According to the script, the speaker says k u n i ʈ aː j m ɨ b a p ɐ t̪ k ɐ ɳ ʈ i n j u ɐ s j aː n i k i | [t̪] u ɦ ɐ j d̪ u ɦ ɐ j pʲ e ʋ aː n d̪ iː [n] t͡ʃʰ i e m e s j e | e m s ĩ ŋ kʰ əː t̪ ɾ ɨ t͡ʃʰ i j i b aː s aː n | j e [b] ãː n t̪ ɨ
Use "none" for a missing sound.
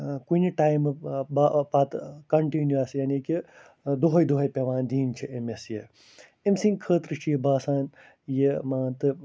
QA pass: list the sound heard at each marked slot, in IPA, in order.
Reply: d̪, n, m

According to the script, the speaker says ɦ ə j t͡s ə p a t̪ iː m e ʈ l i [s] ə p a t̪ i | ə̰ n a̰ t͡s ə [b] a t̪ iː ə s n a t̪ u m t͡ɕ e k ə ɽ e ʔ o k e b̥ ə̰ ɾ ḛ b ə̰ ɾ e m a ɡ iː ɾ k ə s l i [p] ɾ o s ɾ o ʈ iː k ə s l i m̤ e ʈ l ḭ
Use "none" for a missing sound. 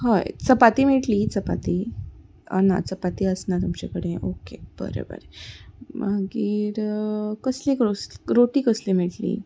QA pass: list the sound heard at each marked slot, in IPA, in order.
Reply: t͡s, p, k

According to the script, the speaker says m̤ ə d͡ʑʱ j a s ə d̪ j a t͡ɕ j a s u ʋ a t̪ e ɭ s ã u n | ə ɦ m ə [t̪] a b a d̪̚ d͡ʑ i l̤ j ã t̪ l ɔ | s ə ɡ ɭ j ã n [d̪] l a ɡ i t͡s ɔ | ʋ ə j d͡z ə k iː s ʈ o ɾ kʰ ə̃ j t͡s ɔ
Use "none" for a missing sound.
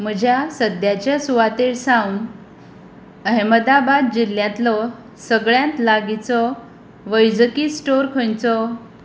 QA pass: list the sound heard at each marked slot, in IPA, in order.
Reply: d̪, t̪

